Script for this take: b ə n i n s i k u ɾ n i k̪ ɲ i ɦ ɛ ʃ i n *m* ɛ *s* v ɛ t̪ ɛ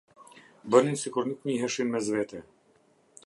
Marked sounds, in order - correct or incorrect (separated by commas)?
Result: correct, incorrect